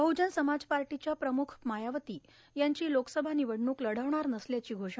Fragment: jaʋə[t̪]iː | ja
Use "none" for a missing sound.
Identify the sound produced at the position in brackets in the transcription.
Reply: t̪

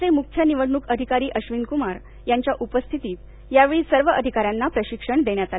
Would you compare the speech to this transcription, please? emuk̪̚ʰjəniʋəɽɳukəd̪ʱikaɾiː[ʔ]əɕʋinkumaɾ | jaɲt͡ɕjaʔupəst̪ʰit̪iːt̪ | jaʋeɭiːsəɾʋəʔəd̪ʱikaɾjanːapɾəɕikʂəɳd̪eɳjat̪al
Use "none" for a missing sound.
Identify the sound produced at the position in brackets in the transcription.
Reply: ʔ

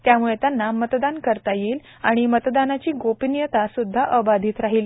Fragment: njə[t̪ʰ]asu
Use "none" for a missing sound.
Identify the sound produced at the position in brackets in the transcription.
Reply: t̪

